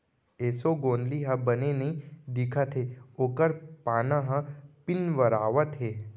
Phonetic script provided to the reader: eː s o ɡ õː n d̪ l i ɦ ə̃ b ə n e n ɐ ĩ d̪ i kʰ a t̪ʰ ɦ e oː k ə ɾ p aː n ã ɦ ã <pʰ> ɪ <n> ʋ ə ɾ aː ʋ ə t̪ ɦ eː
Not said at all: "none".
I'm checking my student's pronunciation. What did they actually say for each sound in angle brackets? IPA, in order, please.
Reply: p, n

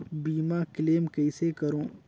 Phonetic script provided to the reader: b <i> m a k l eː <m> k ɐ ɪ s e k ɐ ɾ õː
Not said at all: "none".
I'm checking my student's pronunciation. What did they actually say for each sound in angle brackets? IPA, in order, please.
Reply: iː, m

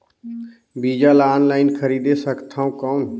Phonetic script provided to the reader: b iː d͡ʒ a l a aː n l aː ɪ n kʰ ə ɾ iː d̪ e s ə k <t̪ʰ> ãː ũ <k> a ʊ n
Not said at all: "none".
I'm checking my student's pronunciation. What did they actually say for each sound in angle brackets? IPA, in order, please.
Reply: t̪ʰ, k

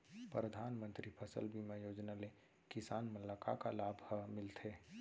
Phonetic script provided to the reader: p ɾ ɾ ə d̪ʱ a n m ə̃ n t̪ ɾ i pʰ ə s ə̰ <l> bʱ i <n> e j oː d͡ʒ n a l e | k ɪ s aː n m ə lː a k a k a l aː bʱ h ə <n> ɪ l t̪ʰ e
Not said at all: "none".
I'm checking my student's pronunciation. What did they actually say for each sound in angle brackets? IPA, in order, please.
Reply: l, m, m

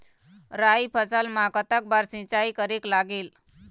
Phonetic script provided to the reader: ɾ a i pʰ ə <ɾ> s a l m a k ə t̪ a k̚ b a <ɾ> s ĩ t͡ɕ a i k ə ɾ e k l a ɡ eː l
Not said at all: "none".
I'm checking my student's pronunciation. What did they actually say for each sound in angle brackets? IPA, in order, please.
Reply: none, ɾ

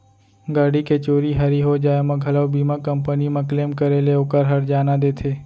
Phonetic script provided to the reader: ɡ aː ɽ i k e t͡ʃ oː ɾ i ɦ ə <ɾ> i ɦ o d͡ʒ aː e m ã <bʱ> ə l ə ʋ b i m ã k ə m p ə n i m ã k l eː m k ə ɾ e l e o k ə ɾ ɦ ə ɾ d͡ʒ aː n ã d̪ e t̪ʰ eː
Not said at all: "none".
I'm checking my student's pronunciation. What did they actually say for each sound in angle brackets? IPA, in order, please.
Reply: ɾ, ɡʱ

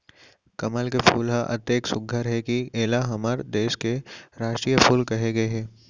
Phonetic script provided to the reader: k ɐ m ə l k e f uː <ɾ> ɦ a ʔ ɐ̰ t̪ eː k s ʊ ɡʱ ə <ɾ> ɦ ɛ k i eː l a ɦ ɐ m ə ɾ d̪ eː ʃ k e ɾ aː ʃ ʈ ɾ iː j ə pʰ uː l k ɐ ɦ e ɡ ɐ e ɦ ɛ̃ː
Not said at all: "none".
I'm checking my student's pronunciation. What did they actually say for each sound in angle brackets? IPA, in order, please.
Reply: l, ɾ

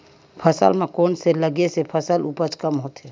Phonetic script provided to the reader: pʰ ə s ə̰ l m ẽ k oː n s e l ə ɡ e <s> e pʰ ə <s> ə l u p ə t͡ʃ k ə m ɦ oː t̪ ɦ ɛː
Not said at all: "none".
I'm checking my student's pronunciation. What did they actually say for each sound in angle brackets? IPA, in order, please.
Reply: s, s

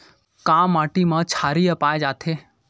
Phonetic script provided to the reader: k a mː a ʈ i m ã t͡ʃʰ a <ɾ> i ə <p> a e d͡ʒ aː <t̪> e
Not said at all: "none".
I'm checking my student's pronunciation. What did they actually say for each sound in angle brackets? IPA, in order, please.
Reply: ɾ, p, t̪ʰ

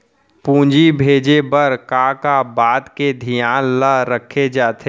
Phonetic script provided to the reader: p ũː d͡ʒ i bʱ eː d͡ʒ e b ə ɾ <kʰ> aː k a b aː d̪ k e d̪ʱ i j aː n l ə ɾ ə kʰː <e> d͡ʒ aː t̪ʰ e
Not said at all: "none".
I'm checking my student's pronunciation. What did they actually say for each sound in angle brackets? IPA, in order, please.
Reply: k, e

